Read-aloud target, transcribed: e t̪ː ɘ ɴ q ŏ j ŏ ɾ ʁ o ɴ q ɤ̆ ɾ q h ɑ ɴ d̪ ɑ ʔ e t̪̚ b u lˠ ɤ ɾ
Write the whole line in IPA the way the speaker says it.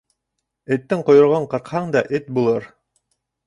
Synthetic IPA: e t̪ː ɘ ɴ q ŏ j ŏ ɾ ʁ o ɴ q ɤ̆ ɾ q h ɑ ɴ d̪ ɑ ʔ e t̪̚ b u lˠ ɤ ɾ